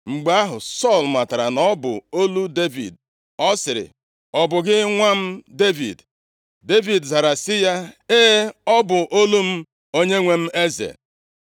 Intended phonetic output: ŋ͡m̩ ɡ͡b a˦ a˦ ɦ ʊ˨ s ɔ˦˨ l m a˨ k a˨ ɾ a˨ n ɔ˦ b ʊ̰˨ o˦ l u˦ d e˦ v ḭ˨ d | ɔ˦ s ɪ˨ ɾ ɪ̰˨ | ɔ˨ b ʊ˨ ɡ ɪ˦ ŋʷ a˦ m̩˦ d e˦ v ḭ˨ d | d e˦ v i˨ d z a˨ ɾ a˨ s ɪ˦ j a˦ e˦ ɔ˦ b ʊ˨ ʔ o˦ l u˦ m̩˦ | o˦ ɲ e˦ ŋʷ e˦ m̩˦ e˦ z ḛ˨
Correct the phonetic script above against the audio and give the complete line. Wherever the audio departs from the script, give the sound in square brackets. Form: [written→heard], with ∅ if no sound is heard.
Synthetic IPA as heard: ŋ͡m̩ ɡ͡b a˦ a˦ ɦ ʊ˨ s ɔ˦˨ l m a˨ [k→t] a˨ ɾ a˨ n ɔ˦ b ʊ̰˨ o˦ l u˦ d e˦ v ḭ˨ d | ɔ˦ s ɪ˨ ɾ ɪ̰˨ | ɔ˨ b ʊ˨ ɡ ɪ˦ ŋʷ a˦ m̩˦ d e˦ v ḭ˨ d | d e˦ v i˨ d z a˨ ɾ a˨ s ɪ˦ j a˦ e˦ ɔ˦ b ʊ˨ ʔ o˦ l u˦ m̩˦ | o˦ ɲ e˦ ŋʷ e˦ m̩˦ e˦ z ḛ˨